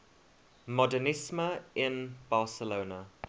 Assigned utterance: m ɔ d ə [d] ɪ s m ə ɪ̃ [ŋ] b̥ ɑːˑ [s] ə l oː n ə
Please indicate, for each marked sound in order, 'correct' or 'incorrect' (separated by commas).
incorrect, incorrect, correct